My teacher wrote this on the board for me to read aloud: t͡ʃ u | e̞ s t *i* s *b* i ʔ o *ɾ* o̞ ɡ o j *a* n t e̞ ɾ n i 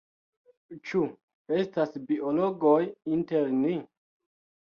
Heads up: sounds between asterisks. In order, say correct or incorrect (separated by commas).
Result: incorrect, correct, incorrect, incorrect